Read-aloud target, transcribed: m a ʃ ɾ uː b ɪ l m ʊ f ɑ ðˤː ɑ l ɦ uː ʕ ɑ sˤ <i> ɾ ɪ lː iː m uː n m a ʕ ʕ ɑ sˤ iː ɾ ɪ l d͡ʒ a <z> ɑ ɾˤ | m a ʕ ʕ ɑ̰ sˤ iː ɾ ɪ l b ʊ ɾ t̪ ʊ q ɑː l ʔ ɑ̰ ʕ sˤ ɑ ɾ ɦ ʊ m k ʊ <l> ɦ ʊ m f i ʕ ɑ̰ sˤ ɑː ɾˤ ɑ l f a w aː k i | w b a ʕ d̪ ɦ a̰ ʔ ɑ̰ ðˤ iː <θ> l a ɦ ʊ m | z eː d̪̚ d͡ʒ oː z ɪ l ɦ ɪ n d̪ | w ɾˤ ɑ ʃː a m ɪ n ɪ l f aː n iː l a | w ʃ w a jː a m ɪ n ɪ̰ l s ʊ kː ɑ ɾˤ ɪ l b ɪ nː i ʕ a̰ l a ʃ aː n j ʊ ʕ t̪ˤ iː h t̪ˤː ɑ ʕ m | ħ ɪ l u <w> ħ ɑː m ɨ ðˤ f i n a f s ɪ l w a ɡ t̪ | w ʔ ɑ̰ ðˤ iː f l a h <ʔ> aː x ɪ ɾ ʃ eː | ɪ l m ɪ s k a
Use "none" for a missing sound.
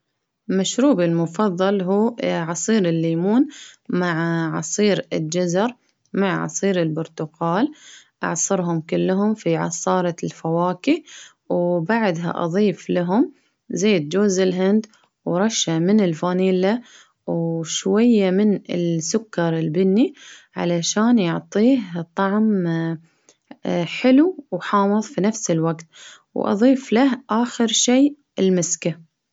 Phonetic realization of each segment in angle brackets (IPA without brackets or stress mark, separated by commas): iː, z, lː, f, w, ʔ